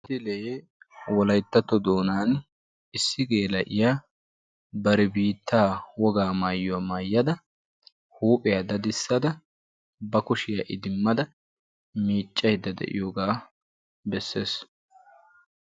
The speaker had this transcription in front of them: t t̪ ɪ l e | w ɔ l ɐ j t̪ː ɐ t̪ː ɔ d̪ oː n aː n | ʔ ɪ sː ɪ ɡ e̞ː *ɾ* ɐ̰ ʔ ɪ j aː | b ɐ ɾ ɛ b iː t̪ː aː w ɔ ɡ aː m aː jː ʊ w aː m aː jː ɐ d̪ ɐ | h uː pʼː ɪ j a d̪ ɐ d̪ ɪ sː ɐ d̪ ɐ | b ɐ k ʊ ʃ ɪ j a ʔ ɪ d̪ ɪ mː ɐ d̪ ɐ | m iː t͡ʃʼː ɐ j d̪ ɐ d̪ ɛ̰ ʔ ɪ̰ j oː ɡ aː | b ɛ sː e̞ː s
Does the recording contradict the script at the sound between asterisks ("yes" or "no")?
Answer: yes